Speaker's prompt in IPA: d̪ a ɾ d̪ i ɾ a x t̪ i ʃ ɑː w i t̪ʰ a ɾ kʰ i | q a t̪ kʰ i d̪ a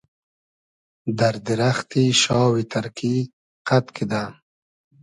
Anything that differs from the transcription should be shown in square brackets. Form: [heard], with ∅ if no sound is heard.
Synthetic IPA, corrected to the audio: d̪ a ɾ d̪ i ɾ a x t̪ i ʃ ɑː w i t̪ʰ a ɾ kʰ i | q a t̪ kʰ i d̪ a